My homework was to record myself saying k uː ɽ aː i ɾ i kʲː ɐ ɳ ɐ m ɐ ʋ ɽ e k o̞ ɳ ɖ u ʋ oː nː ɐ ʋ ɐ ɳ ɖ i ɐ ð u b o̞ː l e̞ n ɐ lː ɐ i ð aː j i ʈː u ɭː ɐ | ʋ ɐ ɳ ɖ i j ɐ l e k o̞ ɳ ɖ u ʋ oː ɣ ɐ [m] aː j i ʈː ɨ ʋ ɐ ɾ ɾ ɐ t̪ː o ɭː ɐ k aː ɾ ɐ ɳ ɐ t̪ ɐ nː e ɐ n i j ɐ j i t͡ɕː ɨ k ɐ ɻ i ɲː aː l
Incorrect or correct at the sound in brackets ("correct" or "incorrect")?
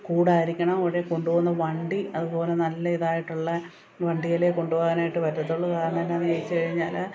incorrect